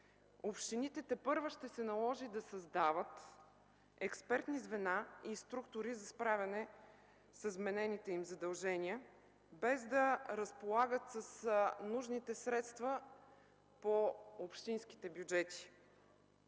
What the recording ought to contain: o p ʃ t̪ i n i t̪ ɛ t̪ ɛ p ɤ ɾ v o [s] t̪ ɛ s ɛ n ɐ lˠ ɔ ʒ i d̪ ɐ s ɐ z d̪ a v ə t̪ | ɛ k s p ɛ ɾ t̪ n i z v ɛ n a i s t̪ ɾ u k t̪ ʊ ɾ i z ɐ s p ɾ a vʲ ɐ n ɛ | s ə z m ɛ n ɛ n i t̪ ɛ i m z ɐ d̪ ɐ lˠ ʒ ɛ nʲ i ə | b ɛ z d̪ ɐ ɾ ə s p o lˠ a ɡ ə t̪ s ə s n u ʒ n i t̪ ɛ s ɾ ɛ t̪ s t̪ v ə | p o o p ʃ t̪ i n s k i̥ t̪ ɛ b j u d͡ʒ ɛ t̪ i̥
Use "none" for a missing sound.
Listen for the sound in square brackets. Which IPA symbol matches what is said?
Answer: ʃ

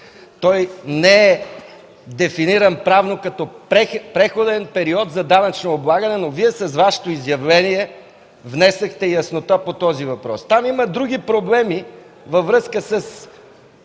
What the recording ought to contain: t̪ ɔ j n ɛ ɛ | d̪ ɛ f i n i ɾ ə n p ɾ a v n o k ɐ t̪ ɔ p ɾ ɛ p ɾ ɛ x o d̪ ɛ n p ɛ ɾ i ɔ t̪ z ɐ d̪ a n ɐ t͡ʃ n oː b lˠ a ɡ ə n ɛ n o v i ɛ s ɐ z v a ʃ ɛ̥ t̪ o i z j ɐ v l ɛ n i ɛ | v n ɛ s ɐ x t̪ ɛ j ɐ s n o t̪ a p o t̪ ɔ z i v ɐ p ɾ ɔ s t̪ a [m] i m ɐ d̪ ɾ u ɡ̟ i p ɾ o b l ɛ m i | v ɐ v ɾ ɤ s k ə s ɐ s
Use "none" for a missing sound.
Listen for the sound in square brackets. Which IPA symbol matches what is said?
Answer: m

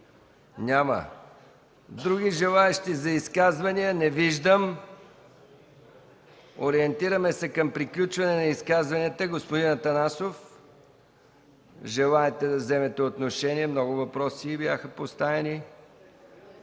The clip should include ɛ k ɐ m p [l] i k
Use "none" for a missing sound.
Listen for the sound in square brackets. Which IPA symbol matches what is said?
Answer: ɾ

